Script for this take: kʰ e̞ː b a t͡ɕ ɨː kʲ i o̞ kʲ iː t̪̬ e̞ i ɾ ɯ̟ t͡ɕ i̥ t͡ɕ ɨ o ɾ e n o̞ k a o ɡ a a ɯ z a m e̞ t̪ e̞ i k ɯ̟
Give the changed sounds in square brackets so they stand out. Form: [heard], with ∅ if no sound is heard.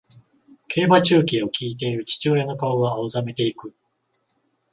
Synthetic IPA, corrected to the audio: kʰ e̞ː b a t͡ɕ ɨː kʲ i o̞ kʲ iː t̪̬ e̞ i ɾ ɯ̟ t͡ɕ i̥ t͡ɕ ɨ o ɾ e n o̞ k a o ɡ a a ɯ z a m e̞ t̪ e̞ i k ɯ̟